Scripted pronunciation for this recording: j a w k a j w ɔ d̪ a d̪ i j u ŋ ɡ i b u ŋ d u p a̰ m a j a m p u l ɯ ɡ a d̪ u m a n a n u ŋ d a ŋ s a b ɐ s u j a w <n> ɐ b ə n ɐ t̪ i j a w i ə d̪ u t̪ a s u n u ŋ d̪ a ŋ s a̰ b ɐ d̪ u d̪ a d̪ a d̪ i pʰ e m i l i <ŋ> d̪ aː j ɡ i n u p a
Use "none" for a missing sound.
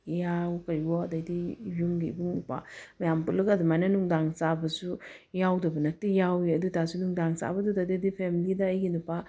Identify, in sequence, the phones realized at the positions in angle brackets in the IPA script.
d, none

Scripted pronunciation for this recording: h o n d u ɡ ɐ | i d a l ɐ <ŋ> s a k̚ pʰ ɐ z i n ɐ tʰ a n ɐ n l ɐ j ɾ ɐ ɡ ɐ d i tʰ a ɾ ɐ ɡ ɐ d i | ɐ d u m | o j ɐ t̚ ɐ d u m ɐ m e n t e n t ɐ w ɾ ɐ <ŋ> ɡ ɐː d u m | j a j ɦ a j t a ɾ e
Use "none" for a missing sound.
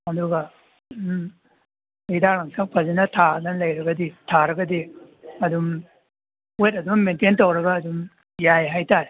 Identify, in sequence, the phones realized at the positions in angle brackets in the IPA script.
ŋ, none

